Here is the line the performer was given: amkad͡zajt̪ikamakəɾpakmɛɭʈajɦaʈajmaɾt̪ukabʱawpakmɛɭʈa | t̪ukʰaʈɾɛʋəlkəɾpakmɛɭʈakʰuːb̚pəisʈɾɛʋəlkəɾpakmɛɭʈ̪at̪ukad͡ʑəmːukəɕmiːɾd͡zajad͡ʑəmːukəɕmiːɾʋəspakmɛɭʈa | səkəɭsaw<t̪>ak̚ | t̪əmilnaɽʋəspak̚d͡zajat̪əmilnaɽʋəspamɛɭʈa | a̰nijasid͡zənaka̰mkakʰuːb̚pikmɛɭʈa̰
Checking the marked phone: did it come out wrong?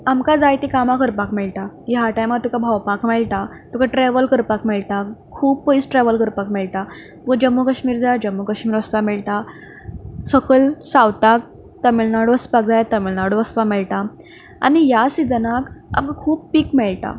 no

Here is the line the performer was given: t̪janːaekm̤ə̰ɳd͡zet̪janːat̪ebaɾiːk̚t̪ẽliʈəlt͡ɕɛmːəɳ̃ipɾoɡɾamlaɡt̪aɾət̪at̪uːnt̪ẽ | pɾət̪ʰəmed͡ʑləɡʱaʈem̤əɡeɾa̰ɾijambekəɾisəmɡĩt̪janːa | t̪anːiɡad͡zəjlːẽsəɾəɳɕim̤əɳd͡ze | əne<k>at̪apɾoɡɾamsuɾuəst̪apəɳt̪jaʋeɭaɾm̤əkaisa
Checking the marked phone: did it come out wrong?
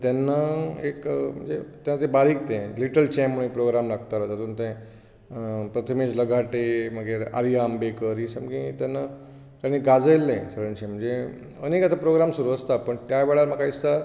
no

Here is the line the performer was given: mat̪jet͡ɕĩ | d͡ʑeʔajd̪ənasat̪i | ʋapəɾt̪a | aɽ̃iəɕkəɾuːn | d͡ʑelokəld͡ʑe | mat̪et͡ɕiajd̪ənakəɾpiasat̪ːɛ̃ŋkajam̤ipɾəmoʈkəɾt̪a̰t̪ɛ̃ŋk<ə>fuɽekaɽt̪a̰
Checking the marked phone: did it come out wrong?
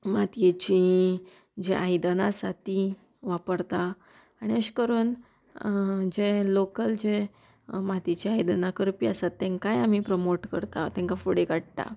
yes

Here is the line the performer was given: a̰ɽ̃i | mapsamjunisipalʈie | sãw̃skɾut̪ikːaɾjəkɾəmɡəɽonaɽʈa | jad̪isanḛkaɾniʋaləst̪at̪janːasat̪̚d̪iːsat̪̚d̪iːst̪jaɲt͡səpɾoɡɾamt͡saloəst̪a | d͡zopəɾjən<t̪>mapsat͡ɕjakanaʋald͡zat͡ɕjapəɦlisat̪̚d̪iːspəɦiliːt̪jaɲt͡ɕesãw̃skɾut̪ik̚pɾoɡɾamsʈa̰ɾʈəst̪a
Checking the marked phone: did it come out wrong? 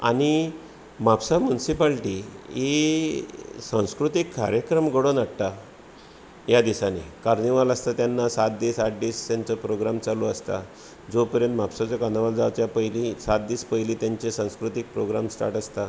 no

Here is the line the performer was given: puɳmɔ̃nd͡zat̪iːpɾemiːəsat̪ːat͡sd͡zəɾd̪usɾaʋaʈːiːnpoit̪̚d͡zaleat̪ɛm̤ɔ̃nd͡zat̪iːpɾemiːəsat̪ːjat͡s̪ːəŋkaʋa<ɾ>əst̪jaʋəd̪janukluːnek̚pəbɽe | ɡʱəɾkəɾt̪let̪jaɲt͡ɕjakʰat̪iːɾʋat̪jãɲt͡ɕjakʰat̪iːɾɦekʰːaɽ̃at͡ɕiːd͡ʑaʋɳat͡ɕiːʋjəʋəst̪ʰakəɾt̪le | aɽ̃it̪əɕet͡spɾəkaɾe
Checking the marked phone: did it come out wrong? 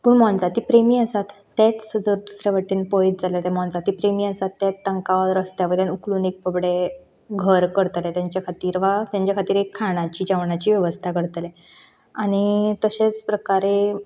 no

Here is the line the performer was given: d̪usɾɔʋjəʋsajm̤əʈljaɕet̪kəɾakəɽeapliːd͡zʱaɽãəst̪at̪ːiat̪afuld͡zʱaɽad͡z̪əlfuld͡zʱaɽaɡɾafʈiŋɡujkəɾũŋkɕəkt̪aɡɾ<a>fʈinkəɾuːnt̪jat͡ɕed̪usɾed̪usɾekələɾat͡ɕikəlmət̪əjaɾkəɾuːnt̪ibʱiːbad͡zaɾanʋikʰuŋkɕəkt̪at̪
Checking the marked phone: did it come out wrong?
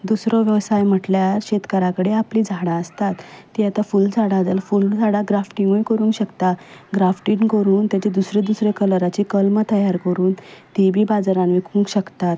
no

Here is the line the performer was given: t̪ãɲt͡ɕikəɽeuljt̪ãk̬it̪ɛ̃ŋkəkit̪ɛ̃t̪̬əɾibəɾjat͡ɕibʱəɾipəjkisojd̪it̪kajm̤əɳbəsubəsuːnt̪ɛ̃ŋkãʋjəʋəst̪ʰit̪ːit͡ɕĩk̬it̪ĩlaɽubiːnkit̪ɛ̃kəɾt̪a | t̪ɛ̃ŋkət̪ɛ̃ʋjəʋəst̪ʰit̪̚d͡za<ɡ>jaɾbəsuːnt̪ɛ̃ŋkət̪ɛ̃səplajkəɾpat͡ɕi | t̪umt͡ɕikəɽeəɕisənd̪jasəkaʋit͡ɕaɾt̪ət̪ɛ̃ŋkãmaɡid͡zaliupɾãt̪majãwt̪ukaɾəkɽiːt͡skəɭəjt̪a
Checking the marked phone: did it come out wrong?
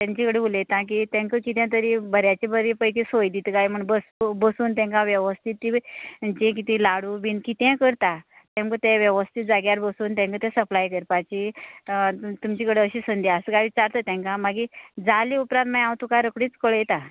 no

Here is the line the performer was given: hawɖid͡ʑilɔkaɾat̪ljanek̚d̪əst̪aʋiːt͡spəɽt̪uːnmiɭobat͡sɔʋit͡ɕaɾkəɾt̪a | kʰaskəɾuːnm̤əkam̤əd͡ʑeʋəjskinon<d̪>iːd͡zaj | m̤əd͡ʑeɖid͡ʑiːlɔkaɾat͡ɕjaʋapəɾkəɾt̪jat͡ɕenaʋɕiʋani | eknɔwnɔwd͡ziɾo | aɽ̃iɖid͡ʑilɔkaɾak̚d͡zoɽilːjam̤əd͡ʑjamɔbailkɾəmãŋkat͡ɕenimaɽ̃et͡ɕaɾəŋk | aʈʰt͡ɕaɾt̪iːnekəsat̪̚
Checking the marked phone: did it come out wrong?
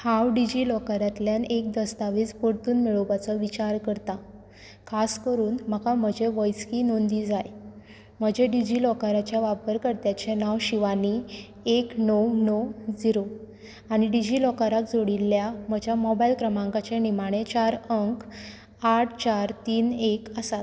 no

